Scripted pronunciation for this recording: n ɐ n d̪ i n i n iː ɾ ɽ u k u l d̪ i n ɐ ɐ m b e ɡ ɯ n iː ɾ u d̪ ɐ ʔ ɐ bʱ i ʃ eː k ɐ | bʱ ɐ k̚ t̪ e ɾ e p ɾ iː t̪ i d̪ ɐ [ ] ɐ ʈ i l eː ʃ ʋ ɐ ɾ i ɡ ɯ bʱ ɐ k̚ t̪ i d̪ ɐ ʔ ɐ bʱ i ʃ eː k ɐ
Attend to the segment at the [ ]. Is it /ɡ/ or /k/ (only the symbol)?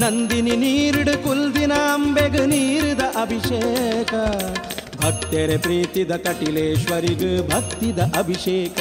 k